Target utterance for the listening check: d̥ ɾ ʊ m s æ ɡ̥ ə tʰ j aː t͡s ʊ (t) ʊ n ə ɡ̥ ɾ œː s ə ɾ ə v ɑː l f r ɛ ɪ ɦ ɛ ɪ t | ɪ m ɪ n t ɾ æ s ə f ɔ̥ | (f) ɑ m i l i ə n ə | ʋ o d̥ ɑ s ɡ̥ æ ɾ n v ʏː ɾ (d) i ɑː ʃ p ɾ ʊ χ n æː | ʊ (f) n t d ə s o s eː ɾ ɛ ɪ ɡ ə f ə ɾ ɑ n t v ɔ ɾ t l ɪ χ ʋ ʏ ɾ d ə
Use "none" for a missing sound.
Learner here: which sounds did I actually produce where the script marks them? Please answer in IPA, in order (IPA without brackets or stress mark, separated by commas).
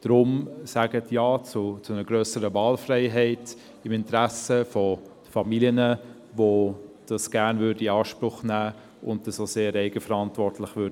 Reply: t͡s, f, d, none